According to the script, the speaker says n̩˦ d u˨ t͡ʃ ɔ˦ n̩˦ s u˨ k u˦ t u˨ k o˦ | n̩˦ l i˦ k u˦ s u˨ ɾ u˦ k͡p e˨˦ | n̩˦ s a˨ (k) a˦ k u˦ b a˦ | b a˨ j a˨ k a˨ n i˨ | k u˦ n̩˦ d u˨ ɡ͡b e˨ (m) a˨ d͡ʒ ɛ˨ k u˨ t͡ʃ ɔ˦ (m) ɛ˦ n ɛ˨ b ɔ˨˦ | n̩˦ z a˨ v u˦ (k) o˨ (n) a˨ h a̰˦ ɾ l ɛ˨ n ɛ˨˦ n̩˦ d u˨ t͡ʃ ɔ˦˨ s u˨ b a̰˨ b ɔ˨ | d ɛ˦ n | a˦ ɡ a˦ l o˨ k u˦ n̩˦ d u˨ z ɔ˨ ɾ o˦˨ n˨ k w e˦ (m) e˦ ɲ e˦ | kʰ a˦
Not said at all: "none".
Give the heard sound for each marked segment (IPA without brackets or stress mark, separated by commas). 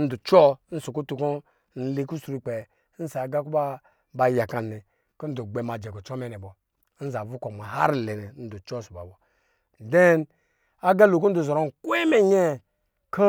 ɡ, m, m, k, m, m